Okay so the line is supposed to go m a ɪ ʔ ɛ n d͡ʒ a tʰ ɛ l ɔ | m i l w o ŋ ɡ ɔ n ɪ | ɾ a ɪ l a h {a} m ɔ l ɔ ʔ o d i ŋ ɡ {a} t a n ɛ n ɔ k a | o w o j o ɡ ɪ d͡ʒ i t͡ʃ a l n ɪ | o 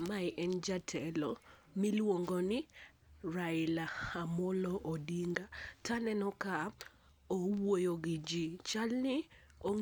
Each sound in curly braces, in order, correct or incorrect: correct, correct

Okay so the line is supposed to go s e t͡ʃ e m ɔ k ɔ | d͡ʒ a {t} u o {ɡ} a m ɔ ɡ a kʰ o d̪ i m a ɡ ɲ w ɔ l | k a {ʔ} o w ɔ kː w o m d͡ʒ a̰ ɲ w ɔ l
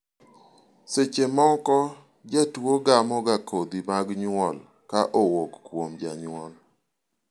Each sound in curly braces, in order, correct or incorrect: correct, correct, correct

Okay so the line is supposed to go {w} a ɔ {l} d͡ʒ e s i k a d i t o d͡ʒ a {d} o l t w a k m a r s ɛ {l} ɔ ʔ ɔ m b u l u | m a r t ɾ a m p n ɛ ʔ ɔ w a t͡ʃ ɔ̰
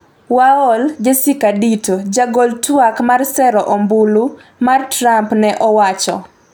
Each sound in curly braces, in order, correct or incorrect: correct, correct, incorrect: ɡ, incorrect: ɾ

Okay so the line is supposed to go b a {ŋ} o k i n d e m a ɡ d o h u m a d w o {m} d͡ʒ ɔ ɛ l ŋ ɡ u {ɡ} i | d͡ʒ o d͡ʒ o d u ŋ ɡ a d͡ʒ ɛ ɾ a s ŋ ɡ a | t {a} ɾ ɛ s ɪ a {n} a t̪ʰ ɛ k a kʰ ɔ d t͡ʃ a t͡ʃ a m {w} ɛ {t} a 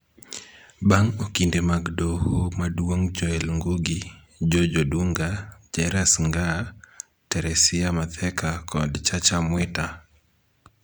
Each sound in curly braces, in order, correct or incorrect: correct, incorrect: ŋ, correct, incorrect: ɛ, incorrect: m, correct, correct

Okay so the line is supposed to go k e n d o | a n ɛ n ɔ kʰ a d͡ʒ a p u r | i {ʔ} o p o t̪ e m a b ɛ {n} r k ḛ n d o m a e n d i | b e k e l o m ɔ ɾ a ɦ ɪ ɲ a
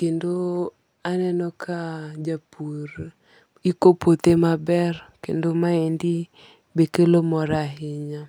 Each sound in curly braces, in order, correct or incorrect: incorrect: k, incorrect: none

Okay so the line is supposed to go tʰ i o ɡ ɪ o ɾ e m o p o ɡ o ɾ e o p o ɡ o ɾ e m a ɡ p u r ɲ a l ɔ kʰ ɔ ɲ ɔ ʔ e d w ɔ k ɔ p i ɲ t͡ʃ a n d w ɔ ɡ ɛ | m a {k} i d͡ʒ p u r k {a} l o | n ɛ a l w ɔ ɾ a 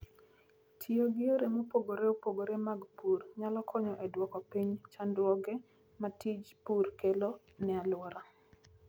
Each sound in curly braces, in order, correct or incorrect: incorrect: t, incorrect: e

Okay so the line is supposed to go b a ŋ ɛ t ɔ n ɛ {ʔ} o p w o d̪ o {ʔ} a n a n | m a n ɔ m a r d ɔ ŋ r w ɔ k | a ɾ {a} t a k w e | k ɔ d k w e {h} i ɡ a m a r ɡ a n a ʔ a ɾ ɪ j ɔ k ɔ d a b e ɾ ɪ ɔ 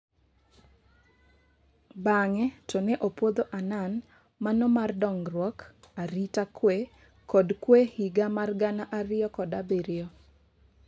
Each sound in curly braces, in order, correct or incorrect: correct, correct, incorrect: i, correct

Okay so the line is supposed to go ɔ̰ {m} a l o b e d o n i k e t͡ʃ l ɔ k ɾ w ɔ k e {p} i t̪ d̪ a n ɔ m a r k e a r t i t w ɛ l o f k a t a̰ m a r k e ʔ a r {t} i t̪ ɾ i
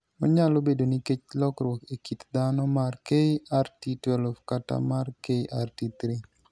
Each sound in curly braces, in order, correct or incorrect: incorrect: ɲ, incorrect: k, correct

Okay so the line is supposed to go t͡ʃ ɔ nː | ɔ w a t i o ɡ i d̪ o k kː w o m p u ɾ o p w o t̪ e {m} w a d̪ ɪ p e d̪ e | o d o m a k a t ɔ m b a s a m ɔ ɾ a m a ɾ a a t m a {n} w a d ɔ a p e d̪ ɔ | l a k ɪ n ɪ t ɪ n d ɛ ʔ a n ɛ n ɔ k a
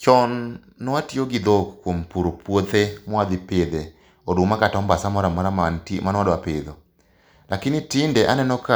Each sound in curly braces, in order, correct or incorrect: correct, correct

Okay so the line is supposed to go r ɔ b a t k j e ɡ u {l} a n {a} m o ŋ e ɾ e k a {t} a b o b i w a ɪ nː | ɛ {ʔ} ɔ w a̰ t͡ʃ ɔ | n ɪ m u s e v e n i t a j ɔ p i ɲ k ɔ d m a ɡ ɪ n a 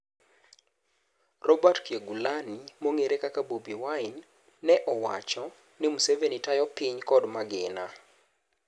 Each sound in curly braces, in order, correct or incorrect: correct, incorrect: i, incorrect: k, correct

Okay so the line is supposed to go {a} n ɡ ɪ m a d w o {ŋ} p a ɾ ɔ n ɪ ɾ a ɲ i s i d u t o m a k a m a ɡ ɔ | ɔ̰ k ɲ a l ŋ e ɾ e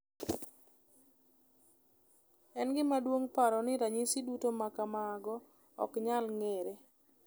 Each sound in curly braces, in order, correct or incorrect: incorrect: ɛ, correct

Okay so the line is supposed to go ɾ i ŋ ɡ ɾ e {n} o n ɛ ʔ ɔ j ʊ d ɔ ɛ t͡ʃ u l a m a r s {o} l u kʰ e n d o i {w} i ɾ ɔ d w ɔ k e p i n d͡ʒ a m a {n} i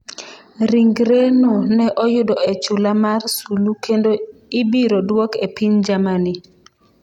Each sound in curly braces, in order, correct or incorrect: correct, incorrect: u, incorrect: b, correct

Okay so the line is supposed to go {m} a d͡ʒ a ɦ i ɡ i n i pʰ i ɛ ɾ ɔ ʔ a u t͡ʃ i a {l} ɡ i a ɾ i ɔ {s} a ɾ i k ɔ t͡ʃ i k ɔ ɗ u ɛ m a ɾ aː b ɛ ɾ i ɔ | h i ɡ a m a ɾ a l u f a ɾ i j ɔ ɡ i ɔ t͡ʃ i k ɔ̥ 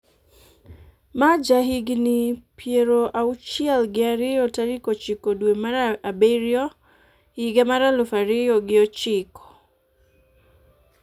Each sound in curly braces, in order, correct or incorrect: correct, correct, incorrect: t

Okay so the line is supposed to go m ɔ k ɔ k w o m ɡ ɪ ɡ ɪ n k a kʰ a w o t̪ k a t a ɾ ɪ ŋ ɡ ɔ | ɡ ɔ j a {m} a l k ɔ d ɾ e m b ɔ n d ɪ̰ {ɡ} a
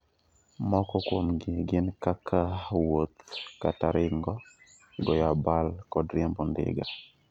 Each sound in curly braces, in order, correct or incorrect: incorrect: b, correct

